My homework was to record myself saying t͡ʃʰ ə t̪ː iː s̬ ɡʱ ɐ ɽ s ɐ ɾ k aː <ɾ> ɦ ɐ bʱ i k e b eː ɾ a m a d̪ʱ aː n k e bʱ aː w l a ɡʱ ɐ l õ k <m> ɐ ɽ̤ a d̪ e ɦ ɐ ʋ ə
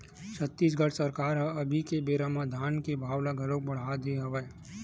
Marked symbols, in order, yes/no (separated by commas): yes, no